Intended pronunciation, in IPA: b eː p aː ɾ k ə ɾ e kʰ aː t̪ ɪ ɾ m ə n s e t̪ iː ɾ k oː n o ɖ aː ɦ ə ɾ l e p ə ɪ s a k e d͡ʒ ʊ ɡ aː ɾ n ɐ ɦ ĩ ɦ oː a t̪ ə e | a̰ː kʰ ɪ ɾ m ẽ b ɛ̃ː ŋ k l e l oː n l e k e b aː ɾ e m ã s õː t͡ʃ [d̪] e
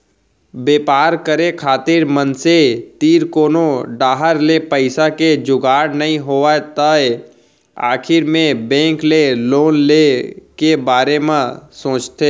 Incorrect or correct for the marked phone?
incorrect: t̪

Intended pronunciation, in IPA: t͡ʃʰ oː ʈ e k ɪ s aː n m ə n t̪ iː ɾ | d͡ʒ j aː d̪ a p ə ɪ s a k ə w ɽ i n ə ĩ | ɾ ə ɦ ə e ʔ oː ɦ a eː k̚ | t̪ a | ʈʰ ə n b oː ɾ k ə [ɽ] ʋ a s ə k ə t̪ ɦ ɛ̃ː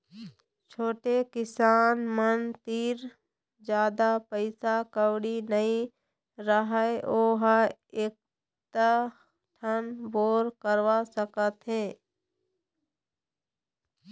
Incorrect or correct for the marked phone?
incorrect: ɾ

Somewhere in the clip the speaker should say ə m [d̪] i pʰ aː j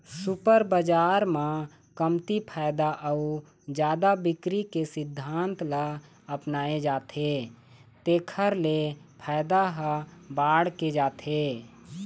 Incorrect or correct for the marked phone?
incorrect: t̪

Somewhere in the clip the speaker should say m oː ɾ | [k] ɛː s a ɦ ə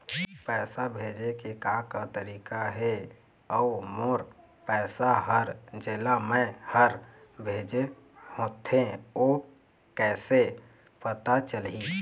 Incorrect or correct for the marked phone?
incorrect: p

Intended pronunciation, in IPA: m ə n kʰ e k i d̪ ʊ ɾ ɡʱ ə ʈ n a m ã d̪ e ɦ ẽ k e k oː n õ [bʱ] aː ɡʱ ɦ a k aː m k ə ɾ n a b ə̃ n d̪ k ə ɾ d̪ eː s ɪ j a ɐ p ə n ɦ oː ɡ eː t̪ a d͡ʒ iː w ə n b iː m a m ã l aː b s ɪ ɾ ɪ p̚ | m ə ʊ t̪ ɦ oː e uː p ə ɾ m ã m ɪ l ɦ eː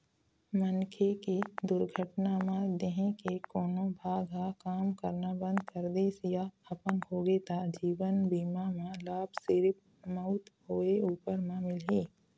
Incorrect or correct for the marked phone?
correct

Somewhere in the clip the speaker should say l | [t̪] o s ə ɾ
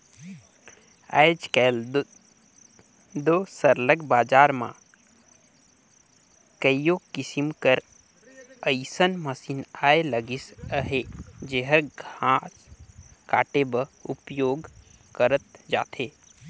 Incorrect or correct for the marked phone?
incorrect: d̪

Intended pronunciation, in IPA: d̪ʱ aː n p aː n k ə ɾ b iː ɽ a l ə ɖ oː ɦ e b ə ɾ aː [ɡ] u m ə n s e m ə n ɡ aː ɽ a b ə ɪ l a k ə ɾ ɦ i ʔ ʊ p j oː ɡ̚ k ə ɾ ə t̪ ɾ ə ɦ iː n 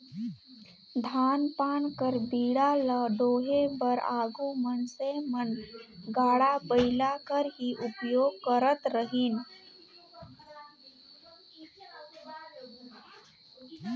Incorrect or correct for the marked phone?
correct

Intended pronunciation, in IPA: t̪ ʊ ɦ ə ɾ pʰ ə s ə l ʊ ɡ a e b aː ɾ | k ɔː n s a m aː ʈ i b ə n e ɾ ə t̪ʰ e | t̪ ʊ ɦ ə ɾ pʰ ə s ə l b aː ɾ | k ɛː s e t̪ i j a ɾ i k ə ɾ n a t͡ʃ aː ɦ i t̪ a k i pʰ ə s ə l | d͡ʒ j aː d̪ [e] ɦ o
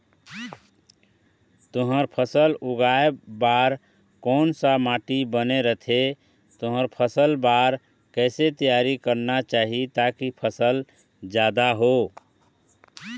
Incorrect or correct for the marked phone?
incorrect: a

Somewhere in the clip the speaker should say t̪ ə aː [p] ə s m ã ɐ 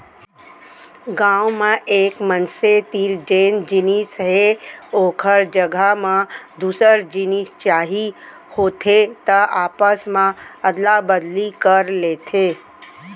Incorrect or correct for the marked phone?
correct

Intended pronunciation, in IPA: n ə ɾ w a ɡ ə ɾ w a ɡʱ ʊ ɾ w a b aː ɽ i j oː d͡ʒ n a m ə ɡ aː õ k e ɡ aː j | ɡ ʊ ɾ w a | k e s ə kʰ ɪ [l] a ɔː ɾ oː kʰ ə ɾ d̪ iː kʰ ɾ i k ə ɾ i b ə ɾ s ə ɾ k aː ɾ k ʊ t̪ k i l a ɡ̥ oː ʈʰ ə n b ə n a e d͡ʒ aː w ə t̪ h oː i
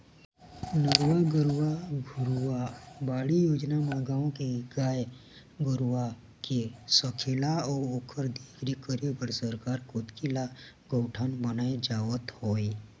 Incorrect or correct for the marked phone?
correct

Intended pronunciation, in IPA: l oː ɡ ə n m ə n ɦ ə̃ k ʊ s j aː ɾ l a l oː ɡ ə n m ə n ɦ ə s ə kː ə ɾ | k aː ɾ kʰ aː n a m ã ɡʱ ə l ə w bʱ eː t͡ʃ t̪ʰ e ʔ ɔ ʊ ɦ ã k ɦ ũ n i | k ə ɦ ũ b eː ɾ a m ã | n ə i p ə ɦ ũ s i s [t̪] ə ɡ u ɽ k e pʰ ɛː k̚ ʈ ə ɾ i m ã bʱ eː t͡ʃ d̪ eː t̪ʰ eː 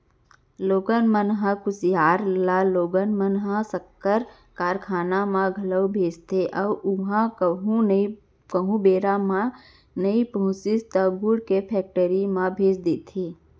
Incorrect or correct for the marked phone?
correct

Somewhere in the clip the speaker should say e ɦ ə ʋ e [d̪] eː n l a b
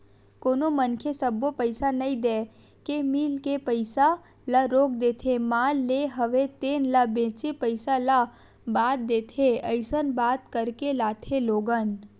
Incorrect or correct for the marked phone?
incorrect: t̪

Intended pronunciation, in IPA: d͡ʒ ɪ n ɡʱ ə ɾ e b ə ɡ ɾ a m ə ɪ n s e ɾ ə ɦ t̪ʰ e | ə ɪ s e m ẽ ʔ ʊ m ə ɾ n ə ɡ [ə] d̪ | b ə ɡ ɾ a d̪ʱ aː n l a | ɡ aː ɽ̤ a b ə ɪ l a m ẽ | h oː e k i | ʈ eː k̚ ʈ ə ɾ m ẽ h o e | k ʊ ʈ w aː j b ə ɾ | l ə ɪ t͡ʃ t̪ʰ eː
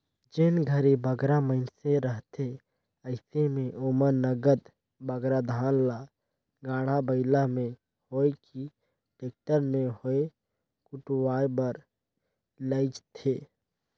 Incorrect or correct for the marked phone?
correct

